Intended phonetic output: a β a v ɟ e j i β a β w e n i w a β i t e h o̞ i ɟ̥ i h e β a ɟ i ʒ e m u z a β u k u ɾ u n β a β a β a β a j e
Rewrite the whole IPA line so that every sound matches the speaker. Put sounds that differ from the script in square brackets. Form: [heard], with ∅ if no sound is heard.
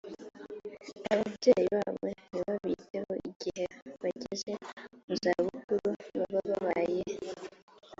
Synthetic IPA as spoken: a β a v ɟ e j i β a β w e n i [β] a β i t e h o̞ i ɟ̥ i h e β a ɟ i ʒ e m u z a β u k u ɾ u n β a β a β a β a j e

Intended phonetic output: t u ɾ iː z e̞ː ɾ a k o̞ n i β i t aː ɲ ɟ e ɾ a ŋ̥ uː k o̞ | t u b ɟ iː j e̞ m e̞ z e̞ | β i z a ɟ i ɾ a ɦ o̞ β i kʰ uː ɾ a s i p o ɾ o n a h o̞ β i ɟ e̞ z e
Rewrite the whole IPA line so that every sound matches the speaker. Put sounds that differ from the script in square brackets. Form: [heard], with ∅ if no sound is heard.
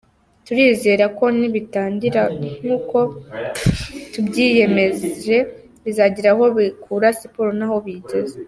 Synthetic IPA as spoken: t u ɾ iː z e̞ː ɾ a k o̞ n i β i t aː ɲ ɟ [i] ɾ a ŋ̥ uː k o̞ | t u b ɟ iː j e̞ m e̞ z e̞ | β i z a ɟ i ɾ a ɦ o̞ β i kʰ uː ɾ a s i p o ɾ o n a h o̞ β i ɟ e̞ z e

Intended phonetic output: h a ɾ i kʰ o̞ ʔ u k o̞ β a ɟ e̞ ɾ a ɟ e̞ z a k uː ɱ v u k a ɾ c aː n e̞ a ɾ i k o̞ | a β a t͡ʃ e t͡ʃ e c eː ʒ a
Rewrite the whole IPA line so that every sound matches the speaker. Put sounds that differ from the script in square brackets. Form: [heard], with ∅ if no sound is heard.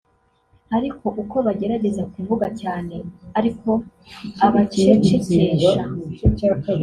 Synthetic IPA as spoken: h a ɾ i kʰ o̞ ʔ u k o̞ β a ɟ e̞ ɾ a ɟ e̞ z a k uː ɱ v u [ɡ] a [∅] c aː n e̞ a ɾ i k o̞ | a β a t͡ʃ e t͡ʃ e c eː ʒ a

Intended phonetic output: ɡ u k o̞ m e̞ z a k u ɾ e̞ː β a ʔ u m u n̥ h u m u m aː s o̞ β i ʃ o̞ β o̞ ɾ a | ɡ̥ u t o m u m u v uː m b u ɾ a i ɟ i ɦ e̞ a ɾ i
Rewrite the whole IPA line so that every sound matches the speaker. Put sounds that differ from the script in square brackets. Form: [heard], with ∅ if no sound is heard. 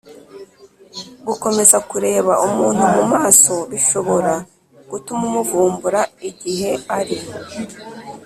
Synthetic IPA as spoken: ɡ u k o̞ m e̞ z a k u ɾ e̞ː β a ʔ u m [uː] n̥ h u m u m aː s o̞ β i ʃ o̞ β o̞ ɾ a | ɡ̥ u t [u] m u m u v uː m b u ɾ a i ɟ i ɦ e̞ a ɾ i

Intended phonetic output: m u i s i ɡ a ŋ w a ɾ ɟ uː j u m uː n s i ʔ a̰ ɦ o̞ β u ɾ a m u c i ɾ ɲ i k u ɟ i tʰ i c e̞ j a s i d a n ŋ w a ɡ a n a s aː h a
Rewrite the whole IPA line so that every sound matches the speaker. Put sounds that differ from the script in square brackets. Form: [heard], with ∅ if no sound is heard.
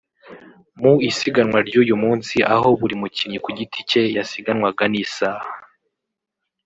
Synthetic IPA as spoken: m u i s i ɡ a [n] w a ɾ ɟ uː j u m uː n s i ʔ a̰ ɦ o̞ β u ɾ [i] m u c i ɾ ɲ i k u ɟ i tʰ i c e̞ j a s i [ɡ] a n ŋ w a ɡ a n [i] s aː h a

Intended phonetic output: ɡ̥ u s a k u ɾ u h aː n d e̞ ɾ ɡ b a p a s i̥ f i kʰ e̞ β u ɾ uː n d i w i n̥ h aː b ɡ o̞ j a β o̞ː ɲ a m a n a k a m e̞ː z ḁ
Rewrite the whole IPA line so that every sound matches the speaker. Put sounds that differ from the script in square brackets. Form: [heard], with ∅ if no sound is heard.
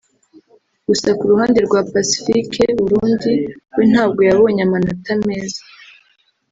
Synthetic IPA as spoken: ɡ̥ u s a k u ɾ u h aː n d e̞ ɾ ɡ [w] a p a s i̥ f i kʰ e̞ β u ɾ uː n d i w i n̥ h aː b ɡ o̞ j a β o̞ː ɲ a m a n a [t] a m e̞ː z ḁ

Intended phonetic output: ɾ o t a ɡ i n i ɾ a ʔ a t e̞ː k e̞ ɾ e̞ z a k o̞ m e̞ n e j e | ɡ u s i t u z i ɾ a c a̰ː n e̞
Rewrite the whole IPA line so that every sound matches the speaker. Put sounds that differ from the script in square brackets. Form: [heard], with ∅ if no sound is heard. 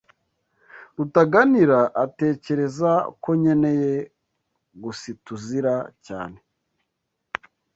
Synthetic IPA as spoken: ɾ [u] t a ɡ [a] n i ɾ a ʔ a t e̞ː [c] e̞ ɾ e̞ z a k o̞ [ɲ] e̞ n e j e | ɡ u s i t u z i ɾ a c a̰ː n e̞

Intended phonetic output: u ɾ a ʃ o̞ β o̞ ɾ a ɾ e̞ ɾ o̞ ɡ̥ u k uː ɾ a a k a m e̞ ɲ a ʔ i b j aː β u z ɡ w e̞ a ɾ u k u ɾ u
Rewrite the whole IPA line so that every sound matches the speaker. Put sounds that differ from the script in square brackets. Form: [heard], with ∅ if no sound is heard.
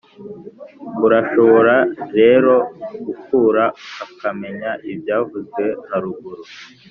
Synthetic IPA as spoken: u ɾ a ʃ o̞ β o̞ ɾ a ɾ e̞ ɾ o̞ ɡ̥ u k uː ɾ a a k a m e̞ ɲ a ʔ i b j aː [v] u z ɡ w e̞ a ɾ u [ɡ] u ɾ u

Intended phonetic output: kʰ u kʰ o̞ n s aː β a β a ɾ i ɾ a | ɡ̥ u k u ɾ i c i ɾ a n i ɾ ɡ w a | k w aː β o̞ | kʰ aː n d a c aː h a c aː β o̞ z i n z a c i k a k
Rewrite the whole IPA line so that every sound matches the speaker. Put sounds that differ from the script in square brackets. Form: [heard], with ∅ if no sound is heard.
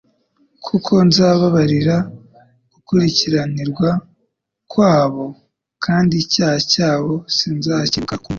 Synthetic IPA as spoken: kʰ u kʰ o̞ n [z] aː β a β a ɾ i ɾ a | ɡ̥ u k u ɾ i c i ɾ a n i ɾ ɡ w a | k w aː β o̞ | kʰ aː n d [i] c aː h a c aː β o̞ [s] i n z a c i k a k

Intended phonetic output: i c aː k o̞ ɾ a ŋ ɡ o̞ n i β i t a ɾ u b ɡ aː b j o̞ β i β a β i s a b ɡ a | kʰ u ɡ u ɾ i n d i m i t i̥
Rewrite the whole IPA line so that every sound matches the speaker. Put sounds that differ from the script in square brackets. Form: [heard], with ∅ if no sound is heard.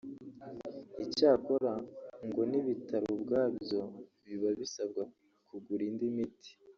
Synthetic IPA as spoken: i c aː k o̞ ɾ a ŋ ɡ o̞ n i β i t a ɾ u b ɡ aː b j o̞ β i β a β i s a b ɡ a | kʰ u ɡ u ɾ i n d i m i t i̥

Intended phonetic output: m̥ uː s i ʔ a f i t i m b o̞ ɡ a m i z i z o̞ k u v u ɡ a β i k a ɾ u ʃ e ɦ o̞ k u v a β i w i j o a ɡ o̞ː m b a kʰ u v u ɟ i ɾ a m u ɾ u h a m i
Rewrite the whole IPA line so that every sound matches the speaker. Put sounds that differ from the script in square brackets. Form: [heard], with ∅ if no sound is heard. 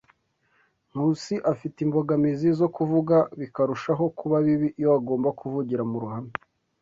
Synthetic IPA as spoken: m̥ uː s i ʔ a f i t i m b o̞ ɡ a m i z i z o̞ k u v u ɡ a β i k a ɾ u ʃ [a] ɦ o̞ k u [β] a β i [β] i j o a ɡ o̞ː m b a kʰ u v u ɟ i ɾ a m u ɾ u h a m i

